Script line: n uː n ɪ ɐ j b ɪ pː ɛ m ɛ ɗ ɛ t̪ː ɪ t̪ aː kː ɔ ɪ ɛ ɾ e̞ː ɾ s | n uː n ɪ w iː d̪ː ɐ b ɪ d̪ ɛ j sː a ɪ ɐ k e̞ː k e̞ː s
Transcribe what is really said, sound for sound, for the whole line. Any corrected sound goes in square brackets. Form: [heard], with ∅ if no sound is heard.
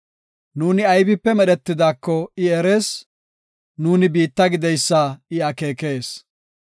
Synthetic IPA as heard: n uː n ɪ ɐ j b ɪ pː ɛ m ɛ ɗ ɛ t̪ː ɪ [d̪] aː kː ɔ ɪ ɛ ɾ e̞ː [∅] s | n uː n ɪ [b] iː [t̪ː] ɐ [ɡ] ɪ d̪ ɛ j sː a ɪ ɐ k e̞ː k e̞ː s